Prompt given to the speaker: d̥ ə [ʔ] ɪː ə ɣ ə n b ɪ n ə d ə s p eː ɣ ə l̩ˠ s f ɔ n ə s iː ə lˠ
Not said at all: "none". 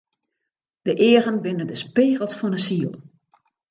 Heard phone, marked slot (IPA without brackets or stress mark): ʔ